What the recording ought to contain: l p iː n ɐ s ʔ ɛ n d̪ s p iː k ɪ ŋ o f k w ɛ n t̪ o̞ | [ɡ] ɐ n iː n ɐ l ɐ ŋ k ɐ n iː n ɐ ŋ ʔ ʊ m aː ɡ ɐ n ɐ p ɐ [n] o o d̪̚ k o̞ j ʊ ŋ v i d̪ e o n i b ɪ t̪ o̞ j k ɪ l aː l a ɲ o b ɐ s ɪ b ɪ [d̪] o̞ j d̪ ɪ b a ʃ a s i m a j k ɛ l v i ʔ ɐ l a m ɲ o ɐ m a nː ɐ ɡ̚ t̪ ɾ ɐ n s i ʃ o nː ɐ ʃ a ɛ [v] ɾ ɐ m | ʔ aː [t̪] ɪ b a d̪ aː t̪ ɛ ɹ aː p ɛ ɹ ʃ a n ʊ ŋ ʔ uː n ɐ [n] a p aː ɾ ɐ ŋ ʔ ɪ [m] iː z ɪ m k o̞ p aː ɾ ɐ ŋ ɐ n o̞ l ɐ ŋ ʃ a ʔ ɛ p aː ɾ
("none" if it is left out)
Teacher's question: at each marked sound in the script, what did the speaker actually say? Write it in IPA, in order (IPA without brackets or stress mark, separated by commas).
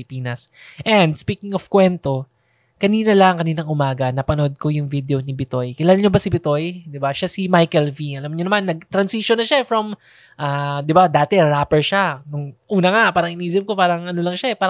k, n, t̪, f, d̪, ŋ, n